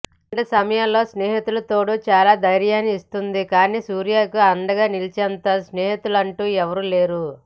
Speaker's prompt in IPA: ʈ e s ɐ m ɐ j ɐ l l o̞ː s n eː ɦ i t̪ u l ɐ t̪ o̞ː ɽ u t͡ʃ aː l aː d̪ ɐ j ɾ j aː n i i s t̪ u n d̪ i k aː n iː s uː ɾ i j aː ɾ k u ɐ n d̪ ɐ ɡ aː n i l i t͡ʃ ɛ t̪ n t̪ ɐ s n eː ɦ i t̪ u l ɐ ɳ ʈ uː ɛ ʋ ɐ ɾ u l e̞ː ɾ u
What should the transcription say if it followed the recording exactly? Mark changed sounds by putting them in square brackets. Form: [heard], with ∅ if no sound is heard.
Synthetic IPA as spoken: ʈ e s ɐ m ɐ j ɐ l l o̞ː s n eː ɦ i t̪ u l ɐ t̪ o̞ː ɽ u t͡ʃ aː l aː d̪ ɐ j ɾ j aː n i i s t̪ u n d̪ i k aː n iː s uː ɾ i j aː [∅] k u ɐ n d̪ ɐ ɡ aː n i l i t͡ʃ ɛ [∅] n t̪ ɐ s n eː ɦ i t̪ u l ɐ ɳ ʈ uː ɛ ʋ ɐ ɾ u l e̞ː ɾ u